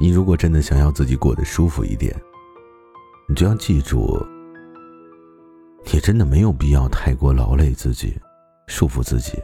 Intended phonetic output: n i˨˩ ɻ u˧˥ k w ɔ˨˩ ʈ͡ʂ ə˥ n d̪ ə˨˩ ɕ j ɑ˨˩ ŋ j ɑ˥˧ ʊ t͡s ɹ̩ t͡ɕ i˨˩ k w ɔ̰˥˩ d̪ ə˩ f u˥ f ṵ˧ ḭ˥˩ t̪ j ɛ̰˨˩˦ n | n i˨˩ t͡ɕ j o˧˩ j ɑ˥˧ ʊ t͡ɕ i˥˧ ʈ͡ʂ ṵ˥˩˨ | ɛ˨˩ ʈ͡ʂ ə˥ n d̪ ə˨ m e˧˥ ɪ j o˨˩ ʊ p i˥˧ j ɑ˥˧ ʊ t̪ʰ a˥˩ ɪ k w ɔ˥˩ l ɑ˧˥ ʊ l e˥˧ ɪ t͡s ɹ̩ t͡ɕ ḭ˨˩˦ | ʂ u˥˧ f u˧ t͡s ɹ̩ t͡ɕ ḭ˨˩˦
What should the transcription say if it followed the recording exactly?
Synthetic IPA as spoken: n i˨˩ ɻ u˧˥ k w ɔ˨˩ ʈ͡ʂ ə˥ n d̪ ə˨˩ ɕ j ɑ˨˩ ŋ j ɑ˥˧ ʊ t͡s ɹ̩ t͡ɕ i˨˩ k w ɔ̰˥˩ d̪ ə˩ ʂ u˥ f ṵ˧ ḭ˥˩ t̪ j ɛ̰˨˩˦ n | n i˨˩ t͡ɕ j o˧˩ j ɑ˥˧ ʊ t͡ɕ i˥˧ ʈ͡ʂ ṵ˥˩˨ | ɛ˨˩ ʈ͡ʂ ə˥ n d̪ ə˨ m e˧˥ ɪ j o˨˩ ʊ p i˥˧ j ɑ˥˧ ʊ t̪ʰ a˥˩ ɪ k w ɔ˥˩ l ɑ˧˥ ʊ l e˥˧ ɪ t͡s ɹ̩ t͡ɕ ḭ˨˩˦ | ʂ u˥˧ f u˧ t͡s ɹ̩ t͡ɕ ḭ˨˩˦